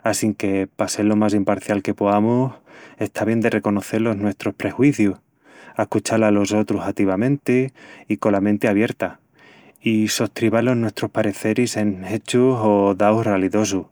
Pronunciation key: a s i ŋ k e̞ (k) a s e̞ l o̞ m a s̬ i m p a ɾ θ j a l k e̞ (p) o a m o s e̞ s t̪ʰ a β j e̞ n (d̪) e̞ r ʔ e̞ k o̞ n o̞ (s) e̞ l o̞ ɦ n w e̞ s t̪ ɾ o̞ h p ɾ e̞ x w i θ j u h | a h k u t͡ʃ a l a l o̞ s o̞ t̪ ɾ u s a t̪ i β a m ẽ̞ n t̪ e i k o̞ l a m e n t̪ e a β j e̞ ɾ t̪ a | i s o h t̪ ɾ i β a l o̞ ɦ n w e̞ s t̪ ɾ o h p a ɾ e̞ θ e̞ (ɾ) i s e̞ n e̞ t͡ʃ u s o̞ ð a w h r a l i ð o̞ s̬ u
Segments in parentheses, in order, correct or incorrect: incorrect, correct, correct, incorrect, correct

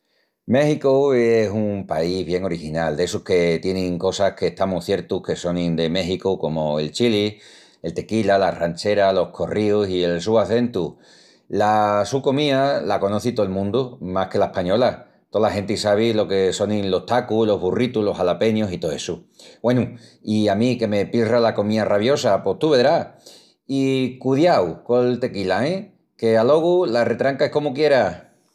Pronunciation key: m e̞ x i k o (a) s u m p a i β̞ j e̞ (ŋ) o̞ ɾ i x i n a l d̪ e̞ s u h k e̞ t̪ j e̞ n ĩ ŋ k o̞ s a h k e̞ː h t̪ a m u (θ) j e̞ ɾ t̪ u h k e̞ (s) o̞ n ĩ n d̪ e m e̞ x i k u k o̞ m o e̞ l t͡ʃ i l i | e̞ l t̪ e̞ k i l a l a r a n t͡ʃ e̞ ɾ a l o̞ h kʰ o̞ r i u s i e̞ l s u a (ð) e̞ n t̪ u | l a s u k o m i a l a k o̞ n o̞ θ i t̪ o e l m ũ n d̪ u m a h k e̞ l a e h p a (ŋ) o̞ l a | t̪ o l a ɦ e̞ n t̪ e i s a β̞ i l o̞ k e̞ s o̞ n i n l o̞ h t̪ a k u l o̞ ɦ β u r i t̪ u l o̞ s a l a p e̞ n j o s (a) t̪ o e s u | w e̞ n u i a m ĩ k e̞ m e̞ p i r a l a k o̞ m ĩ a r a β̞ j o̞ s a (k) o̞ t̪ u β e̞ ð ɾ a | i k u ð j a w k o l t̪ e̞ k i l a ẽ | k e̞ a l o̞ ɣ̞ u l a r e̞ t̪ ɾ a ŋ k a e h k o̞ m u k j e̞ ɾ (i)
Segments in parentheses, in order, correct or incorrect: incorrect, correct, correct, correct, incorrect, incorrect, incorrect, incorrect, incorrect

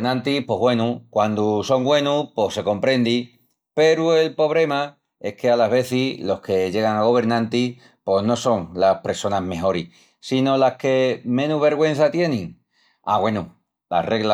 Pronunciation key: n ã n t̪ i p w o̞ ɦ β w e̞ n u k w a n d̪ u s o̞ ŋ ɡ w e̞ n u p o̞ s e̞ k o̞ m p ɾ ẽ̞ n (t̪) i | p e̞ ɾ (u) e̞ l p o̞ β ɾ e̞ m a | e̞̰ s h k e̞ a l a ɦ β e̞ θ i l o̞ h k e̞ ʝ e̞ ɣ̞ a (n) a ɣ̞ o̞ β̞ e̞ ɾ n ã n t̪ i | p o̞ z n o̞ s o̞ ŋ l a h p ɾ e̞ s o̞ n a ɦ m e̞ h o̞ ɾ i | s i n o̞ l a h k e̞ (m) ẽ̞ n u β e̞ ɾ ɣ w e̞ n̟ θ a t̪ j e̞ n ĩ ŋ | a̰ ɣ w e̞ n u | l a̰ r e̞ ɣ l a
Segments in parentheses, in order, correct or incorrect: incorrect, correct, incorrect, correct

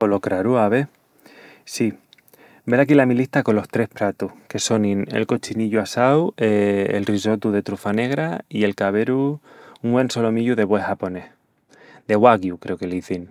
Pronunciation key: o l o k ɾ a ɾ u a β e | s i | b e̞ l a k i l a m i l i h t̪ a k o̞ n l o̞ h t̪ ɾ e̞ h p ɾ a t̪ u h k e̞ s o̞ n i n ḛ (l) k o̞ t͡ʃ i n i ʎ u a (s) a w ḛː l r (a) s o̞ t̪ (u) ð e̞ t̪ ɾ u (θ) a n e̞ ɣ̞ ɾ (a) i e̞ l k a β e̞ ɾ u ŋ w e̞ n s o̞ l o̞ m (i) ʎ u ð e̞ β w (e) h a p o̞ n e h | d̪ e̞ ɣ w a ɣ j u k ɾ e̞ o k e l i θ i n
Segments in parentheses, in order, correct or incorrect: correct, correct, incorrect, correct, incorrect, correct, correct, correct

